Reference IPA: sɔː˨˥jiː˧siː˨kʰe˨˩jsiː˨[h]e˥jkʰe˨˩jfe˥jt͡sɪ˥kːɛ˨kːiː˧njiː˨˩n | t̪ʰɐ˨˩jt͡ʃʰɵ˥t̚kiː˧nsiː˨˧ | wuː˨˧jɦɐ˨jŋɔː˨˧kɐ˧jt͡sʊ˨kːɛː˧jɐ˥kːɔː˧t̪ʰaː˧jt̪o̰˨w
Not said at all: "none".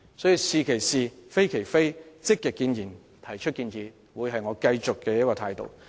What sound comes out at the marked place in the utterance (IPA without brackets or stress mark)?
f